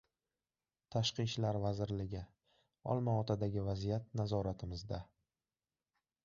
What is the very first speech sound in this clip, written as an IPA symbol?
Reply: t̪ʰ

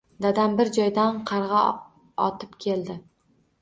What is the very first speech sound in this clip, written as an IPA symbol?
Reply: d̪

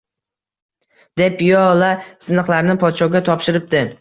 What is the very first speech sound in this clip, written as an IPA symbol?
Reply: d̪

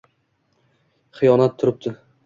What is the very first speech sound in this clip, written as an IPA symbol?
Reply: χ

